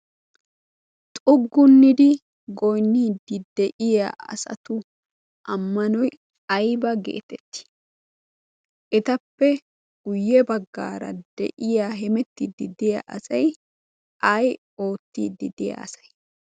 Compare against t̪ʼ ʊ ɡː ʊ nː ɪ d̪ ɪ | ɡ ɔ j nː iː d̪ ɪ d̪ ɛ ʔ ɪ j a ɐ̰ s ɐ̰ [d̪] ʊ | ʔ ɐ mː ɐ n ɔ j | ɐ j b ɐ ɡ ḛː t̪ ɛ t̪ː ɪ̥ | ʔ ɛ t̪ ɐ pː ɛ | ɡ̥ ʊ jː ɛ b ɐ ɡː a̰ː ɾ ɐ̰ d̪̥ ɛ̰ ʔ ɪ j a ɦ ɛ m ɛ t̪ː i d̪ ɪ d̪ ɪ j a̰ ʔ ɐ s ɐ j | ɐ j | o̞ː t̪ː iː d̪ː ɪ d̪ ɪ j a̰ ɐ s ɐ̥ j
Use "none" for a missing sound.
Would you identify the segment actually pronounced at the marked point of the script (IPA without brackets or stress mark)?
t̪